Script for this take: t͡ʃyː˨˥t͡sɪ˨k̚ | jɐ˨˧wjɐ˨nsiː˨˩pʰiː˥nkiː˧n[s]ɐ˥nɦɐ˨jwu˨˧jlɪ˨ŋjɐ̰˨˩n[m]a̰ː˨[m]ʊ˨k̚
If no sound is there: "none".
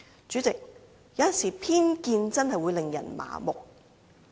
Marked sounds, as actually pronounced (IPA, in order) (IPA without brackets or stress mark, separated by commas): t͡s, m, m